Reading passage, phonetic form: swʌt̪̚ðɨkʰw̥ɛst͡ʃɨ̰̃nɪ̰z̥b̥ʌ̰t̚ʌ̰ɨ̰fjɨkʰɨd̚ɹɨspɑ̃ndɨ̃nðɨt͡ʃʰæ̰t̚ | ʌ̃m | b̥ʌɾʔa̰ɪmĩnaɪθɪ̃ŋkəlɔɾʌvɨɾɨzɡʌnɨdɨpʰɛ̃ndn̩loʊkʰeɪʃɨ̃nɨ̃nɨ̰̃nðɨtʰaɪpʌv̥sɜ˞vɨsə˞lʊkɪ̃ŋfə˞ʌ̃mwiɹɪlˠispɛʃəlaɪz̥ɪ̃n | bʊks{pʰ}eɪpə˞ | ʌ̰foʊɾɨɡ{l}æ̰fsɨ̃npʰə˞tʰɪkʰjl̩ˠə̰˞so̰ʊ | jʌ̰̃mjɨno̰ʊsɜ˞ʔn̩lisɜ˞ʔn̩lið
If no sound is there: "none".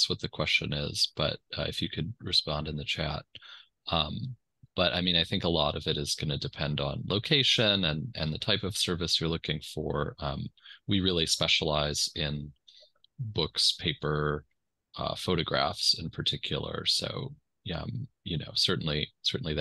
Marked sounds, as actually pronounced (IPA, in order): pʰ, ɹ

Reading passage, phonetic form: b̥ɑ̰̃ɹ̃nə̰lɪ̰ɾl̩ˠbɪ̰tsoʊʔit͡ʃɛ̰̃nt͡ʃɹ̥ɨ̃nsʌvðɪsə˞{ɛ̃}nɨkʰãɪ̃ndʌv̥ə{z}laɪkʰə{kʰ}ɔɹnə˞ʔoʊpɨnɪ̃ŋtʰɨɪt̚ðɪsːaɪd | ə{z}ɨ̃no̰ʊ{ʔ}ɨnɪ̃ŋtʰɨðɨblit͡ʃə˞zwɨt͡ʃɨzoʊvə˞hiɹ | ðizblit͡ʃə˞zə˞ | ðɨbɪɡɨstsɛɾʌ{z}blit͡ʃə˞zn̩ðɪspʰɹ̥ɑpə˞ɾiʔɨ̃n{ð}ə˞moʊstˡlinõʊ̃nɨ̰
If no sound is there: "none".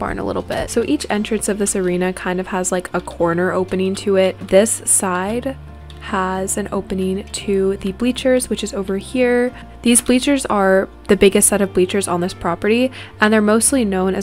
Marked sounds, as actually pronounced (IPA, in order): ĩ, z, kʰ, z, p, v, ð

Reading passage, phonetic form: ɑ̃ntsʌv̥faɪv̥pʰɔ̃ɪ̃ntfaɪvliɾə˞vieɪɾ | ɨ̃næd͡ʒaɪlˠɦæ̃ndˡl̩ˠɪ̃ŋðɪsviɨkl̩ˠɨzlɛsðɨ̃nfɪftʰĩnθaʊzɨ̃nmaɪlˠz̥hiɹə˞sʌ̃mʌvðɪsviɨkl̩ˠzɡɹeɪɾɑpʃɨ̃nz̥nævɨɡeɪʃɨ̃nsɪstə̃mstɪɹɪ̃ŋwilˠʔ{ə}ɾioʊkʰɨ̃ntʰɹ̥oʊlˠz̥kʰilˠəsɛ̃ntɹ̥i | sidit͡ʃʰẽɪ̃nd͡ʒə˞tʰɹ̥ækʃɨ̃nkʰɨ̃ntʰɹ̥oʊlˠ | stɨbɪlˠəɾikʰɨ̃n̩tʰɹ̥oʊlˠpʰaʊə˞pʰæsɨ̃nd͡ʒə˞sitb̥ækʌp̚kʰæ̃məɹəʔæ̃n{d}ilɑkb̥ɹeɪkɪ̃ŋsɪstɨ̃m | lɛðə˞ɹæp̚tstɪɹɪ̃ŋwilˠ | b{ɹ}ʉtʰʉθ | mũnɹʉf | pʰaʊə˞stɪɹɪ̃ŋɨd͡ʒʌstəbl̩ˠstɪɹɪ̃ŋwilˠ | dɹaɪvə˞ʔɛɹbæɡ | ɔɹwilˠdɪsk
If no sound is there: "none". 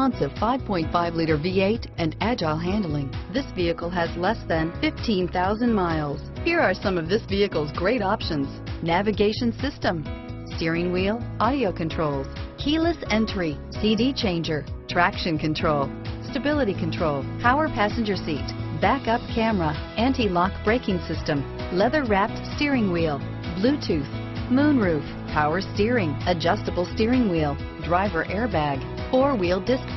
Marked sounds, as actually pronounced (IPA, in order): ɑ, t, l

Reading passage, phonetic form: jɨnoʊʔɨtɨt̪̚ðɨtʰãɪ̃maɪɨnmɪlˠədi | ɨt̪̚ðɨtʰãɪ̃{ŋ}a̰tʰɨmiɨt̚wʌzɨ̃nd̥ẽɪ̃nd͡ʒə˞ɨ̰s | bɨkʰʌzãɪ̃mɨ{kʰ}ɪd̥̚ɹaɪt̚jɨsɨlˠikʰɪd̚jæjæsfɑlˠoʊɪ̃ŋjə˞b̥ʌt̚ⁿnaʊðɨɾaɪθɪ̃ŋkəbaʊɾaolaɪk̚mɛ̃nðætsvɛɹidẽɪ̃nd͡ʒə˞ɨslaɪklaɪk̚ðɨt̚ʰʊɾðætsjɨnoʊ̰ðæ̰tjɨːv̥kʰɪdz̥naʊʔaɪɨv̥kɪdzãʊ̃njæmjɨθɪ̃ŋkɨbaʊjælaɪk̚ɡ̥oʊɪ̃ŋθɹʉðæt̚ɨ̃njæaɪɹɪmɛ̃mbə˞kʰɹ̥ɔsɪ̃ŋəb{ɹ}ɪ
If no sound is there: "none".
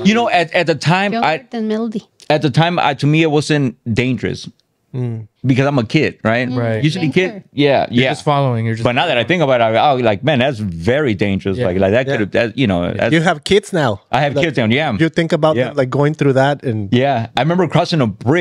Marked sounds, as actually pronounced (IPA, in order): m, kʰ, ɹ

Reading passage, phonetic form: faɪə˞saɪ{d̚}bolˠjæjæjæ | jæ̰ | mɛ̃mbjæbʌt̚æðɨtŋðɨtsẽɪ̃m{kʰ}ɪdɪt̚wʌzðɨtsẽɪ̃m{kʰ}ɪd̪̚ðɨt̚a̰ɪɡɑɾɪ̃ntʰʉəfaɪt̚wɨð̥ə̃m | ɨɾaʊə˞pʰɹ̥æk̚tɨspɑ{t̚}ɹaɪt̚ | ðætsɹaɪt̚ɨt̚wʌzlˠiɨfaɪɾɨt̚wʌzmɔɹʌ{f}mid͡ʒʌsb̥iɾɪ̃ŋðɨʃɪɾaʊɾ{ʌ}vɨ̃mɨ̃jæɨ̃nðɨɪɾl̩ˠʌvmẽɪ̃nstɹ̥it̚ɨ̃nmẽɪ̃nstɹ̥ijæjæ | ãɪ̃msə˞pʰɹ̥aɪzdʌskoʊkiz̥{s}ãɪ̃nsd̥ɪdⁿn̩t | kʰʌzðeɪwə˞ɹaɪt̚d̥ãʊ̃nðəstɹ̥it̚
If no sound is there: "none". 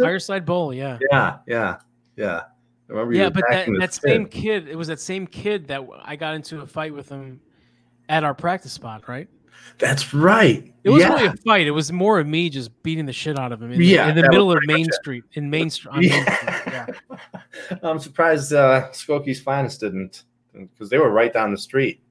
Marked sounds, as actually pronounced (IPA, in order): d̚, kʰ, kʰ, t̚, v, ʌ, f

